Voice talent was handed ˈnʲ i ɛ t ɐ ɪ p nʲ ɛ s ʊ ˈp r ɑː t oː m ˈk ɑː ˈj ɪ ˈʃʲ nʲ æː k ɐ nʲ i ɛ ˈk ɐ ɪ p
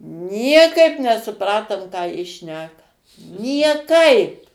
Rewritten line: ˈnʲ i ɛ k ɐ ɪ p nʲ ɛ s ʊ ˈp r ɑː t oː m ˈk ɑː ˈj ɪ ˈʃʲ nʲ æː k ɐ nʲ i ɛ ˈk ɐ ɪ p